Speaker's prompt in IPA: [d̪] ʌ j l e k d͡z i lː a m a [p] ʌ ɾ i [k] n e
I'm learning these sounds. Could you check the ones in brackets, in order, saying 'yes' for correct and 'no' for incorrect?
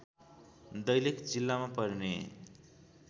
yes, yes, no

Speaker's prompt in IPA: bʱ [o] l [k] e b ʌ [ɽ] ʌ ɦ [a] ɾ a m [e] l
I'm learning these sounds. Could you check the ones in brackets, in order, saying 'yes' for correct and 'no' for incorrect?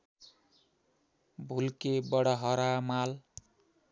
no, yes, yes, no, no

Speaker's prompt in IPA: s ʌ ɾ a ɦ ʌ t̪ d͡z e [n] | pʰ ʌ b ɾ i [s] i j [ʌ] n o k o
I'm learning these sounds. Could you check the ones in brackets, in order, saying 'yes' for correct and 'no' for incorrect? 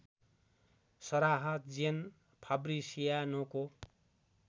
yes, yes, no

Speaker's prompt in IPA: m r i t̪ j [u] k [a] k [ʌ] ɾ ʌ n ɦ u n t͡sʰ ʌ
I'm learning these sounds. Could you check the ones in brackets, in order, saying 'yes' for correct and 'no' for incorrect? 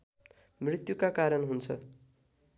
yes, yes, no

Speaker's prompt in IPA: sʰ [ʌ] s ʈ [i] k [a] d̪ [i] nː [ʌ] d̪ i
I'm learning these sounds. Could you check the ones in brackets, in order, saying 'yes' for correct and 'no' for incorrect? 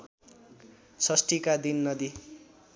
yes, yes, yes, yes, yes

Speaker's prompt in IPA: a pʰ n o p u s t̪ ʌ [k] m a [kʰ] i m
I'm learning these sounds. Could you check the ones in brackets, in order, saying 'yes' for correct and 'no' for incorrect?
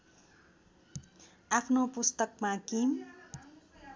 yes, no

